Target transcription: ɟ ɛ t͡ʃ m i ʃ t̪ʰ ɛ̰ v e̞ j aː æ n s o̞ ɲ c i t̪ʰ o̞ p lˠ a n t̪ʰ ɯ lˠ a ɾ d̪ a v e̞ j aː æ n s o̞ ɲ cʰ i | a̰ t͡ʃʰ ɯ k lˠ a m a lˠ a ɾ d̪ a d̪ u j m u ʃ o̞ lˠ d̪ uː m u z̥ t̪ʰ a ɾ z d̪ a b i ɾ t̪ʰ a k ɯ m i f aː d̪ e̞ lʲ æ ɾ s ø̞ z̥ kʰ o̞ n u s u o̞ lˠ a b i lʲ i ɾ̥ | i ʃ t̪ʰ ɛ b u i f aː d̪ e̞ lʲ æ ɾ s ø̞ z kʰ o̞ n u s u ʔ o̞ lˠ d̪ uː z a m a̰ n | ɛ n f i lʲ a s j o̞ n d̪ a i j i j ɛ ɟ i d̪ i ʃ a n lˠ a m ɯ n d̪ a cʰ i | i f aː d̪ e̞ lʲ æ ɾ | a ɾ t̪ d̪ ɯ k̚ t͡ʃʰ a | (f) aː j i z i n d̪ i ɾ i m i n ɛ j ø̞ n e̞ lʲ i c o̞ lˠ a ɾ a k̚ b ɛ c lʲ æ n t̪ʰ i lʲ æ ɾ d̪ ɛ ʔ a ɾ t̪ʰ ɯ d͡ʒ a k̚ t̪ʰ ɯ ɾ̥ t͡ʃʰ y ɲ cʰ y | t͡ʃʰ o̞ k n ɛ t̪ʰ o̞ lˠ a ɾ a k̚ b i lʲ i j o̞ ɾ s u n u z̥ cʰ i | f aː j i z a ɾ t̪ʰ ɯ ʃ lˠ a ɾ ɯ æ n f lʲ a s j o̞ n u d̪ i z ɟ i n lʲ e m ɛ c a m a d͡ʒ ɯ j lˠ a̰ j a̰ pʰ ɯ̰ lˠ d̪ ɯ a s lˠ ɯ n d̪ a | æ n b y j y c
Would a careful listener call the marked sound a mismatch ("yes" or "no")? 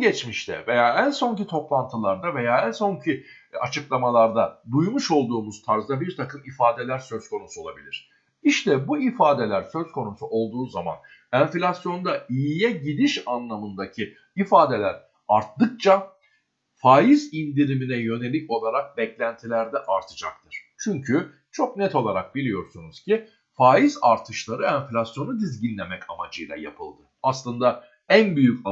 no